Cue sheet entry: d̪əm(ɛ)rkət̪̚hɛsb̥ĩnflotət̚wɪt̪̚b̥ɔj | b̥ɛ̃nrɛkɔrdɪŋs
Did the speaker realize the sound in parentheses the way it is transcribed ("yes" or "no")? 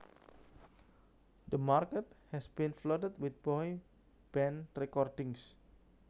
no